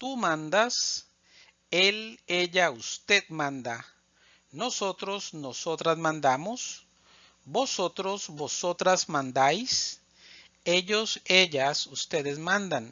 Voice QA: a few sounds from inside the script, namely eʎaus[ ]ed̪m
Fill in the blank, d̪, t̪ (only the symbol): t̪